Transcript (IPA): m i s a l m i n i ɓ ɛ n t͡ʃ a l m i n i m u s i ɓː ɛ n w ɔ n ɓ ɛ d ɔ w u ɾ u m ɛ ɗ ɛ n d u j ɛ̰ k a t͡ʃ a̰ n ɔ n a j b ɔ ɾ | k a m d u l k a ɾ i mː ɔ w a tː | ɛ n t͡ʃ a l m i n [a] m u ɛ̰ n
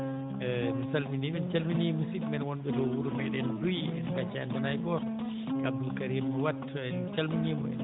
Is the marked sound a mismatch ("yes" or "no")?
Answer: yes